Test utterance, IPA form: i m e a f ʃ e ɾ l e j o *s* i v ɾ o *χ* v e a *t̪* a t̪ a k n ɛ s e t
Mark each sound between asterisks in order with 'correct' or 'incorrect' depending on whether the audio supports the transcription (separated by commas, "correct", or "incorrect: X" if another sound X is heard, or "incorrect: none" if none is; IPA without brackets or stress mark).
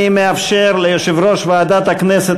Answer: incorrect: ʃ, incorrect: ʃ, incorrect: d̪